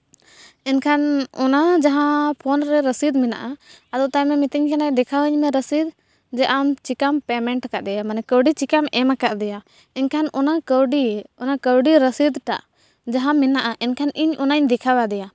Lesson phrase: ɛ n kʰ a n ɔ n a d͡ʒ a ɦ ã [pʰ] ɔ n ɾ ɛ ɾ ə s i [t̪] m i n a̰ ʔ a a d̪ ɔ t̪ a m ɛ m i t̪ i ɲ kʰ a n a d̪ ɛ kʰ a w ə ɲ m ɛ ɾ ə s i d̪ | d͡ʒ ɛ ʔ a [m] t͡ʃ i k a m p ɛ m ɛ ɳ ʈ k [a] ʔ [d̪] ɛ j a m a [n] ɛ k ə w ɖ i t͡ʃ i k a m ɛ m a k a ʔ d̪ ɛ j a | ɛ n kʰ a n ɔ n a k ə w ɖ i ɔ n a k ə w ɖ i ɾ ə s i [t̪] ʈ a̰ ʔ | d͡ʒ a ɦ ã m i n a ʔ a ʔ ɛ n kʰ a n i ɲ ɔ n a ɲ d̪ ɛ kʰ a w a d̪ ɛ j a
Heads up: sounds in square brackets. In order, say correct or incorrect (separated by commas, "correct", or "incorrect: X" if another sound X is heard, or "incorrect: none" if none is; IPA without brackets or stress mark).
correct, incorrect: d̪, correct, correct, correct, correct, incorrect: d̪